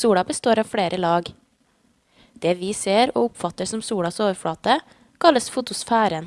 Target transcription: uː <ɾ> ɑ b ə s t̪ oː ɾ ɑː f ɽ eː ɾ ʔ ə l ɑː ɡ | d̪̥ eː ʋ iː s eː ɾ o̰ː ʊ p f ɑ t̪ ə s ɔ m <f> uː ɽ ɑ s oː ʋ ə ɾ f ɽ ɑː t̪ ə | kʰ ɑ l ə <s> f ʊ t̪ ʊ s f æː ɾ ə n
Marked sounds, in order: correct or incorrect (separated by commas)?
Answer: incorrect, incorrect, correct